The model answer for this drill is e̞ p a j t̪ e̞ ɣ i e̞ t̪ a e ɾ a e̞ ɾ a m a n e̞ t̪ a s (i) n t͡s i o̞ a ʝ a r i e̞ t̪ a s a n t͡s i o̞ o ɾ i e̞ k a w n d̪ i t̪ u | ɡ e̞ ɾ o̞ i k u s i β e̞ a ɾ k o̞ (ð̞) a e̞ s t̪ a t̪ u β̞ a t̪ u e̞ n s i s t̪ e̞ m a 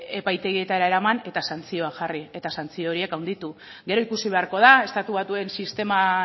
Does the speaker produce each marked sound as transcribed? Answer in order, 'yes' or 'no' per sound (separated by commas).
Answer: no, yes